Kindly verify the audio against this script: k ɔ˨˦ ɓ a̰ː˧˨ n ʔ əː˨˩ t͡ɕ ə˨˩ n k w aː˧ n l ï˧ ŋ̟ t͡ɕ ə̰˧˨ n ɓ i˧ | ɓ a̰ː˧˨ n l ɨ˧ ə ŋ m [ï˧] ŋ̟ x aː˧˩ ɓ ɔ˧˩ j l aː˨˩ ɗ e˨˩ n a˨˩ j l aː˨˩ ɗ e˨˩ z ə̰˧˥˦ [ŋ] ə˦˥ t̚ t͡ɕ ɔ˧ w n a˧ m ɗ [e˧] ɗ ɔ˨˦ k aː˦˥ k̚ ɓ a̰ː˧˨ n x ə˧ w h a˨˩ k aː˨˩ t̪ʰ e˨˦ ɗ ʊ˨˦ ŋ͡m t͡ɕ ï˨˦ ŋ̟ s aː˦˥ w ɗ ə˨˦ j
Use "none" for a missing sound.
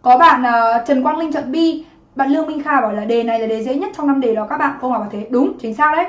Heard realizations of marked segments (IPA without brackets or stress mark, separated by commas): ï˧, ɲ, e˨˩